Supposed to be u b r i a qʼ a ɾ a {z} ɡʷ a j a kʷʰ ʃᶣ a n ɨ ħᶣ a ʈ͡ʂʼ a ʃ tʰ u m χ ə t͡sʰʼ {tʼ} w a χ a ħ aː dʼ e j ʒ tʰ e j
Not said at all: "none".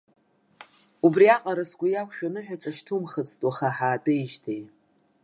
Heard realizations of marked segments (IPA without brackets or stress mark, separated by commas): s, tʼ